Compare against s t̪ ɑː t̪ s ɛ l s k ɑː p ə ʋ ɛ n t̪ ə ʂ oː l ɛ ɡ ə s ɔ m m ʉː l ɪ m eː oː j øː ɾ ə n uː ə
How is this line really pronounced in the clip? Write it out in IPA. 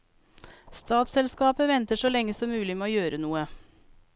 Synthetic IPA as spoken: s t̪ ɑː t̪ s ɛ l s k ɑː p ə ʋ ɛ n t̪ ə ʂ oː l ɛ ŋ ə s ɔ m m ʉː l ɪ m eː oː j øː ɾ ə n uː ə